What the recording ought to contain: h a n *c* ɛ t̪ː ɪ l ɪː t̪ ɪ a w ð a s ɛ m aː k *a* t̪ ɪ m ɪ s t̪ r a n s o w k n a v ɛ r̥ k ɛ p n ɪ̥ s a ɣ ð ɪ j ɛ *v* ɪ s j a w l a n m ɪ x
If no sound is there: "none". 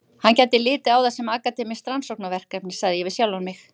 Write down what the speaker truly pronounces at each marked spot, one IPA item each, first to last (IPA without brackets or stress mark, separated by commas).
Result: c, a, v